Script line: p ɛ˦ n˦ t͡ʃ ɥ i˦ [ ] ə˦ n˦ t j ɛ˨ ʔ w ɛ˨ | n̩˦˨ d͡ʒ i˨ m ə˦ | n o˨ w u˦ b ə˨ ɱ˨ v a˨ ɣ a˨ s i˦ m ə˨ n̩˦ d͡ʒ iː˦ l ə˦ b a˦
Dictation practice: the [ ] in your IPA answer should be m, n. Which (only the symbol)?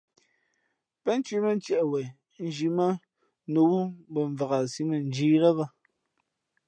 m